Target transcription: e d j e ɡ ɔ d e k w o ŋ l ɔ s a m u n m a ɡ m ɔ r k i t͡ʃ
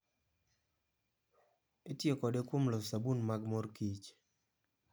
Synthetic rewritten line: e t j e k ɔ d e k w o m l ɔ s a b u n m a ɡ m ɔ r k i t͡ʃ